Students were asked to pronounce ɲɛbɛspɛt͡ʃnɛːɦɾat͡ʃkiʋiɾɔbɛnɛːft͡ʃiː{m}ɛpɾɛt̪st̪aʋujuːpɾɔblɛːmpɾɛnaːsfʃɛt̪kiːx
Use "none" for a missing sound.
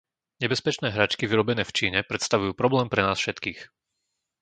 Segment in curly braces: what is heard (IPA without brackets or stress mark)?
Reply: ɲ